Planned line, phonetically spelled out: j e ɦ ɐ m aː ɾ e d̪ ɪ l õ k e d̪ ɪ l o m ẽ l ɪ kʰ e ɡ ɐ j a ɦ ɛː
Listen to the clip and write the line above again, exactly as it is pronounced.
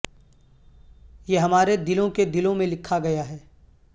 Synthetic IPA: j e ɦ ɐ m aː ɾ e d̪ ɪ l õ k e d̪ ɪ l õ m ẽ l ɪ kʰ a ɡ ɐ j a ɦ ɛː

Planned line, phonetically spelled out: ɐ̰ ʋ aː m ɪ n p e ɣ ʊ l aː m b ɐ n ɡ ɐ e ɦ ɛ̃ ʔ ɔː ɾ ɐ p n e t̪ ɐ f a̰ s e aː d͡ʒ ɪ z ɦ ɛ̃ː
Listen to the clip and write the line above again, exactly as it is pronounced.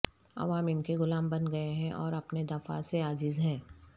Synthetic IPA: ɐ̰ ʋ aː m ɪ n k e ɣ ʊ l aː m b ɐ n ɡ ɐ e ɦ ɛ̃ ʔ ɔː ɾ ɐ p n e d̪ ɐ f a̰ s e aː d͡ʒ ɪ z ɦ ɛ̃ː

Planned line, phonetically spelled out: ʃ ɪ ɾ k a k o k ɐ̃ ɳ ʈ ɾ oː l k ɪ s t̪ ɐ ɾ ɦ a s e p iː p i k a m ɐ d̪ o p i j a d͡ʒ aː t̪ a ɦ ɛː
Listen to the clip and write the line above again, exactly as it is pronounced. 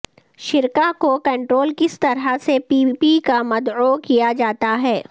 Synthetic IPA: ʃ ɪ ɾ k a k o k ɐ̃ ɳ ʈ ɾ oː l k ɪ s t̪ ɐ ɾ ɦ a s e p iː p i k a m ɐ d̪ o k i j a d͡ʒ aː t̪ a ɦ ɛː

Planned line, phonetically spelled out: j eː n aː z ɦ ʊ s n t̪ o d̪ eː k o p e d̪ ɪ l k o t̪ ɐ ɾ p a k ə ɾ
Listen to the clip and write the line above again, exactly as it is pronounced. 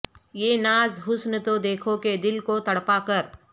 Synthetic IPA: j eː n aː z ɦ ʊ s n t̪ o d̪ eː kʰ o k e d̪ ɪ l k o t̪ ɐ ɽ p a k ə ɾ

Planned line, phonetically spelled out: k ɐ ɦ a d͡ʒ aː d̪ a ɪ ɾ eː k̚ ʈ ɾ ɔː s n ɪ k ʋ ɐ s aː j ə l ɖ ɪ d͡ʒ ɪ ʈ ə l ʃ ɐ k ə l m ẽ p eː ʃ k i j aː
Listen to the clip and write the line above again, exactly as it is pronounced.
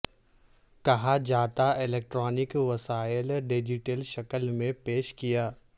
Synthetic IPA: k ɐ ɦ a d͡ʒ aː t̪ a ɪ l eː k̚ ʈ ɾ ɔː n ɪ k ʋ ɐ s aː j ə l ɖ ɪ d͡ʒ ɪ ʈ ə l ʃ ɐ k ə l m ẽ p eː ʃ k i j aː

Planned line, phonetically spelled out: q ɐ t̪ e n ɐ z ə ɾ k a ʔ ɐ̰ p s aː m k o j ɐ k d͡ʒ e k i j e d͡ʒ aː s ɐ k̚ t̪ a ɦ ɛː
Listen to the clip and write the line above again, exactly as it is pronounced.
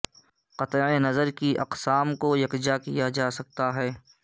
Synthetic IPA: q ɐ t̪ e n ɐ z ə ɾ k i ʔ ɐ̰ q s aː m k o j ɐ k d͡ʒ a k i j a d͡ʒ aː s ɐ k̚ t̪ a ɦ ɛː

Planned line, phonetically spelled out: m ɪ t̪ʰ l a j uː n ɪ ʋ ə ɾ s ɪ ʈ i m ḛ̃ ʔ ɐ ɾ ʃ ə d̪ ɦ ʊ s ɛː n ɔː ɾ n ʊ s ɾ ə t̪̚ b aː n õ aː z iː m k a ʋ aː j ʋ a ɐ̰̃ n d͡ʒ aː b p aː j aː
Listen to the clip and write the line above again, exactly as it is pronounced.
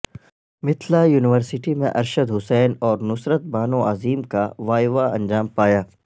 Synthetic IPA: m ɪ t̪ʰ l a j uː n ɪ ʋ ə ɾ s ɪ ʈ i m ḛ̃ ʔ ɐ ɾ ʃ ə d̪ ɦ ʊ s ɛː n ɔː ɾ n ʊ s ɾ ə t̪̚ b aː n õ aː z iː m k a ʋ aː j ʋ a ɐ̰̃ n d͡ʒ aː m p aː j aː

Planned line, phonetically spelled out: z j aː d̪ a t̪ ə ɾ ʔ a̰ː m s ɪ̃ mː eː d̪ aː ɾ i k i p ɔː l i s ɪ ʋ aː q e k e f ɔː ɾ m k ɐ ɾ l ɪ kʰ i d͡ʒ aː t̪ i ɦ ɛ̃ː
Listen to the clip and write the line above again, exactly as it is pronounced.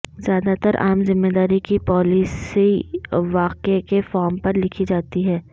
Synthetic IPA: z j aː d̪ a t̪ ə ɾ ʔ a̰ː m z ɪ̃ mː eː d̪ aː ɾ i k i p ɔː l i s i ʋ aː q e k e f ɔː ɾ m p ɐ ɾ l ɪ kʰ i d͡ʒ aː t̪ i ɦ ɛː

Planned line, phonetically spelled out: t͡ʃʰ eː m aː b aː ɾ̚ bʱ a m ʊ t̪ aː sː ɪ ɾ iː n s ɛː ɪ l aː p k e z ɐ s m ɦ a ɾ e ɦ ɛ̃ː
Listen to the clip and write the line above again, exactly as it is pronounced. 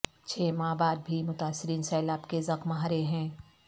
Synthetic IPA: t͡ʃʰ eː m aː b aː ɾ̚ bʱ i m ʊ t̪ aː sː ɪ ɾ iː n s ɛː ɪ l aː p k e z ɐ x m ɦ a ɾ e ɦ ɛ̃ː

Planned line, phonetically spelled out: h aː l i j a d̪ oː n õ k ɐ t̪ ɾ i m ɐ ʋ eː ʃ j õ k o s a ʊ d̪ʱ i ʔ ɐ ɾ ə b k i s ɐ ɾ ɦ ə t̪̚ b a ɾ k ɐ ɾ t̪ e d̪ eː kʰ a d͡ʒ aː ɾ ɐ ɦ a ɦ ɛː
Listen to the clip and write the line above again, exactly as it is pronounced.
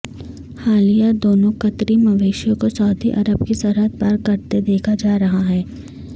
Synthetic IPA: h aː l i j a d̪ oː n õ k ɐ t̪ ɾ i m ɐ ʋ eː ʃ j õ k o s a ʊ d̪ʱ i ʔ ɐ ɾ ə b k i s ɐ ɾ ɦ ə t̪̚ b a ɾ k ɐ ɾ t̪ e d̪ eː kʰ a d͡ʒ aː ɾ ɐ ɦ a ɦ ɛː

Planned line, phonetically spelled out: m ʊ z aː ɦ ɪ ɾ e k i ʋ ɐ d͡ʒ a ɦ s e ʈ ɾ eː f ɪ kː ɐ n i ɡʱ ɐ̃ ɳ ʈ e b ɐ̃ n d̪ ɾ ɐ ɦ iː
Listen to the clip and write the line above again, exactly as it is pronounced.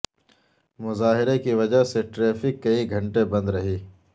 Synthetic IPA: m ʊ z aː ɦ ɪ ɾ e k i ʋ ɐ d͡ʒ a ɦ s e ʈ ɾ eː f ɪ kː ɐ i ɡʱ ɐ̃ ɳ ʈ e b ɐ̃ n d̪ ɾ ɐ ɦ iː

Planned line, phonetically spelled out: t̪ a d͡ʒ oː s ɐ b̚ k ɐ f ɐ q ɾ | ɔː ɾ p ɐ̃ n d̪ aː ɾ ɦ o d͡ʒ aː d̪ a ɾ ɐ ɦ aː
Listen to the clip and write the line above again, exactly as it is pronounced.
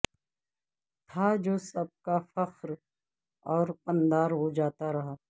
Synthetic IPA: t̪ʰ a d͡ʒ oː s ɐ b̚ k a f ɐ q ɾ | ɔː ɾ p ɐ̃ n d̪ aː ɾ ɦ o d͡ʒ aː t̪ a ɾ ɐ ɦ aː

